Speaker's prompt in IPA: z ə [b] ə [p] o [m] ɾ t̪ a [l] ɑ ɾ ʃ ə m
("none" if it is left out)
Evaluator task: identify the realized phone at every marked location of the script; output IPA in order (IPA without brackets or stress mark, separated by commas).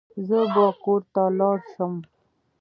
b, k, none, l